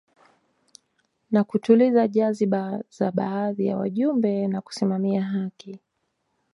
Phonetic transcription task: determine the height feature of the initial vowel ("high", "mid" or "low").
low